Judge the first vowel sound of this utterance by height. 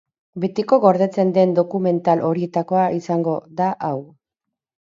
mid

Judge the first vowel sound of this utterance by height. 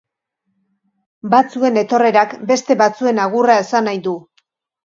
low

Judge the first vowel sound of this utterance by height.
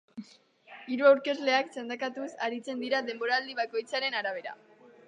high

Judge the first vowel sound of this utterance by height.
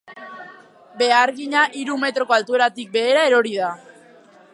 mid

